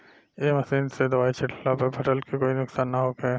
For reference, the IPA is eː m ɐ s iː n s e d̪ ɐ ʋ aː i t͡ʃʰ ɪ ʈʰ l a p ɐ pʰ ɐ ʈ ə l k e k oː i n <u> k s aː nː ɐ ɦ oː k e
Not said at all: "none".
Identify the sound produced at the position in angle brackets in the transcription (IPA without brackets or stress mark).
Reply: ʊ